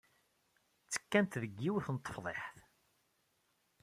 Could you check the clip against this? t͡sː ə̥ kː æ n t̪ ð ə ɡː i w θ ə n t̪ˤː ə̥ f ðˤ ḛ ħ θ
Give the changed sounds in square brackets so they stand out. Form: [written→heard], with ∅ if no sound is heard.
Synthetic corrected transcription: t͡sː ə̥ kː æ n t̪ ð ə ɡː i w θ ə n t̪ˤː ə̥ f ðˤ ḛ ħ θ